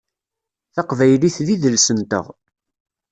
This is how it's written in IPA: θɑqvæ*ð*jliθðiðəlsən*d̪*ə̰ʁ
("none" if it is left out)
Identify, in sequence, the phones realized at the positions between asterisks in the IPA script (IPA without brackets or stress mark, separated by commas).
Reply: none, t̪